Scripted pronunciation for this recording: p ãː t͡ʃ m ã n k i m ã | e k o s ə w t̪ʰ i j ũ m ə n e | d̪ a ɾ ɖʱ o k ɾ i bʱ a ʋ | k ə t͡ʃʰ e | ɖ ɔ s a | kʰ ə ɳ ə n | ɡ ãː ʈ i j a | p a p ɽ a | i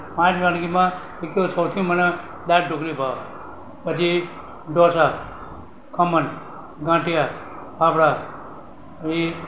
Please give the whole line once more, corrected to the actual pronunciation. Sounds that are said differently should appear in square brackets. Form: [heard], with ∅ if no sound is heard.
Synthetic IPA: p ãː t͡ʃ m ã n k i m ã | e k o s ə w t̪ʰ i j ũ m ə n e | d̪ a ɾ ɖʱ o k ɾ i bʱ a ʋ | [p] ə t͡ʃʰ [i] | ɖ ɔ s a | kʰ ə [m] ə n | ɡ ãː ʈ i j a | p a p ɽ a | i